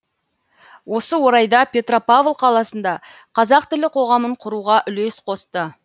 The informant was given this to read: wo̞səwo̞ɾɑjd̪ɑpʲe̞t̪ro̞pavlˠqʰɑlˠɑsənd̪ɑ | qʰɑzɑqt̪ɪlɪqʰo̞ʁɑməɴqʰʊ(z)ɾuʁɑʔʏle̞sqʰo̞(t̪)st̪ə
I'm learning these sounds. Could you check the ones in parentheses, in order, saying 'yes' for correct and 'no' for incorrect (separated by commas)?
no, no